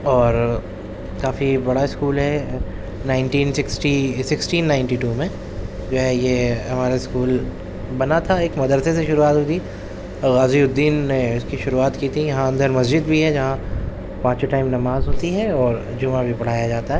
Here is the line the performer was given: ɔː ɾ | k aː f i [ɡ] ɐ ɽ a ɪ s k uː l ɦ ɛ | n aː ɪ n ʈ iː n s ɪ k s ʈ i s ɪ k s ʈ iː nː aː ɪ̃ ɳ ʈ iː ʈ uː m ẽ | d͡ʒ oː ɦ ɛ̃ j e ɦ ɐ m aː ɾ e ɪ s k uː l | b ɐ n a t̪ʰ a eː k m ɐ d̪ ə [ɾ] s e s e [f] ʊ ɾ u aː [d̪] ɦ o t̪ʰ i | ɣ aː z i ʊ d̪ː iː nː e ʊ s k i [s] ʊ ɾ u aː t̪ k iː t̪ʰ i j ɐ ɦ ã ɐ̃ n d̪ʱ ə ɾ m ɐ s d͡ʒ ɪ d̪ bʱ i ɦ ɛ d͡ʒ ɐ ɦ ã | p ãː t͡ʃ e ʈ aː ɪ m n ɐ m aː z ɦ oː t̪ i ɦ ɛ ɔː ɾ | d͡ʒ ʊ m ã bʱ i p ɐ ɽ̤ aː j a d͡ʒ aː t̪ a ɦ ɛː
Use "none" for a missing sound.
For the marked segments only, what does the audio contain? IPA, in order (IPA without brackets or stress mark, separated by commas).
b, ɾ, ʃ, t̪, ʃ